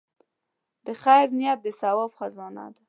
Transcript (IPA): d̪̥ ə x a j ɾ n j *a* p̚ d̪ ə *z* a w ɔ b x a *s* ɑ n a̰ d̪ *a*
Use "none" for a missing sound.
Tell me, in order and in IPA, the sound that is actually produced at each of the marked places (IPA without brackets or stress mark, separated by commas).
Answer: a, s, z, a